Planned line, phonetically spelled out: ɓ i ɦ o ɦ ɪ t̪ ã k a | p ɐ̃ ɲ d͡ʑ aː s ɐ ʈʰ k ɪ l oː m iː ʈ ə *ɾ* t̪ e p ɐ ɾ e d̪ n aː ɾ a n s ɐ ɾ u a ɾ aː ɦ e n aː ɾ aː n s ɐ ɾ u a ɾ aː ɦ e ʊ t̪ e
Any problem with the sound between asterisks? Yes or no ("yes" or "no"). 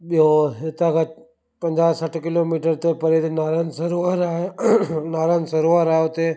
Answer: no